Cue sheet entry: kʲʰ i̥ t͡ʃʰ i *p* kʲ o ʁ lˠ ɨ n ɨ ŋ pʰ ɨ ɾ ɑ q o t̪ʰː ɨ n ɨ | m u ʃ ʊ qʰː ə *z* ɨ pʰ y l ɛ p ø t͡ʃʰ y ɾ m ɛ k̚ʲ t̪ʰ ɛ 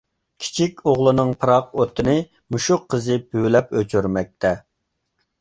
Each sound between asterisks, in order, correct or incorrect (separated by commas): incorrect, correct